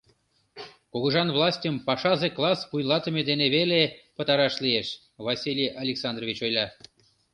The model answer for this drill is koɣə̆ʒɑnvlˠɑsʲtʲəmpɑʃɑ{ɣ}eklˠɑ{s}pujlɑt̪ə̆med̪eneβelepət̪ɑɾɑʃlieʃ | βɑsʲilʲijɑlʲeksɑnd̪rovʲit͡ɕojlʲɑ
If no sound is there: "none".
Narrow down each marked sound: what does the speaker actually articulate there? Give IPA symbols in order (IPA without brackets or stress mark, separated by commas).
z, s